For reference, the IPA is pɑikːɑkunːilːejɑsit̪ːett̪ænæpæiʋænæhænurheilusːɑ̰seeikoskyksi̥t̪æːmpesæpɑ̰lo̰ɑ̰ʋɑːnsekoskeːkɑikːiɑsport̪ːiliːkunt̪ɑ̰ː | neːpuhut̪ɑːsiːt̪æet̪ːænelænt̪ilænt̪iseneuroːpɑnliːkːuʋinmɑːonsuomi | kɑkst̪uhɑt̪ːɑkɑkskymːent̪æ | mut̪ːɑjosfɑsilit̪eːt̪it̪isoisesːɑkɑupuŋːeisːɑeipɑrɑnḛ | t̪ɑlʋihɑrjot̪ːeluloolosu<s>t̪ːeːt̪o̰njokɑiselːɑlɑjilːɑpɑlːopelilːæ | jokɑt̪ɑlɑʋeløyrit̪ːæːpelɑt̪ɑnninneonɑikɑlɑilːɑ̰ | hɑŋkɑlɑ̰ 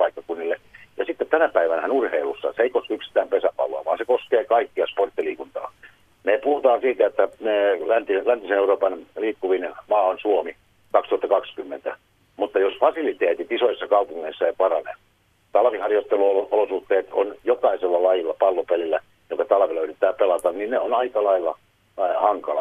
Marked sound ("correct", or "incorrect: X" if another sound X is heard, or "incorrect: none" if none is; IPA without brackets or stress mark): incorrect: h